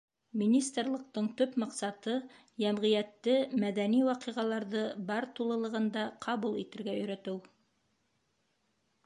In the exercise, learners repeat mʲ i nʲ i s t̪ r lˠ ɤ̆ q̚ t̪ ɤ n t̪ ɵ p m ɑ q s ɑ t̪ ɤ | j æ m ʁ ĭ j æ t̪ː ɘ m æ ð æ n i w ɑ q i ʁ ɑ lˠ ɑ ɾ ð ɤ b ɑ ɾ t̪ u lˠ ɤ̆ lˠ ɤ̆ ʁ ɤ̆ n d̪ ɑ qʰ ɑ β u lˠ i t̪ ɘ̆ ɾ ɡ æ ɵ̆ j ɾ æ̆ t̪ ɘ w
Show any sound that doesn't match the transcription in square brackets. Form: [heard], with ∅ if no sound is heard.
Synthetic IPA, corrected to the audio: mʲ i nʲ i s t̪ r lˠ ɤ̆ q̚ t̪ ɤ [ɴ] t̪ ɵ p m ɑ q s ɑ t̪ ɤ | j æ m ʁ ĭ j æ t̪ː ɘ m æ ð æ n i w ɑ q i ʁ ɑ lˠ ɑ ɾ ð ɤ b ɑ ɾ t̪ u lˠ ɤ̆ lˠ ɤ̆ ʁ ɤ̆ n d̪ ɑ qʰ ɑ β u lˠ i t̪ ɘ̆ ɾ ɡ æ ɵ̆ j ɾ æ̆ t̪ ɘ w